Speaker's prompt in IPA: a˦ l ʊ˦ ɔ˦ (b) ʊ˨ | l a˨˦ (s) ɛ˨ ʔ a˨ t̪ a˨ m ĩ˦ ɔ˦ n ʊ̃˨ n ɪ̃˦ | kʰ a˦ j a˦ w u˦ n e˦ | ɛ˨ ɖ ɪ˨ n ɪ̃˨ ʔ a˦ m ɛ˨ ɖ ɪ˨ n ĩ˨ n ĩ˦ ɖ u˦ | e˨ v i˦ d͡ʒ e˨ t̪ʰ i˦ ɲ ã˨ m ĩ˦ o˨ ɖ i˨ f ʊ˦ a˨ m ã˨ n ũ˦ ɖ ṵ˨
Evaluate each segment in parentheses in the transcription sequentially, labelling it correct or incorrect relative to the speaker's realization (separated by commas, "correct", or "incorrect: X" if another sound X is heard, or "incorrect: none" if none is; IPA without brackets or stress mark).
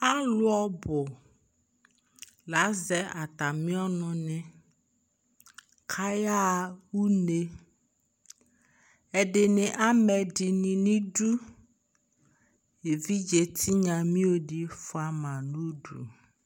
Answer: correct, incorrect: z